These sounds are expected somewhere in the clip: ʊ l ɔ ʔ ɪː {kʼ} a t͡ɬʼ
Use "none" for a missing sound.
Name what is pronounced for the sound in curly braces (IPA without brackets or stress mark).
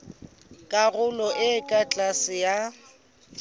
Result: kʼ